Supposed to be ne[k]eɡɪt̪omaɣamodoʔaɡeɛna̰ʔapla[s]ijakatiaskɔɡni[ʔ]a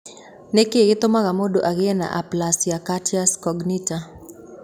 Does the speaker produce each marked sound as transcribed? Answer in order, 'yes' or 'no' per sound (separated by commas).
yes, yes, no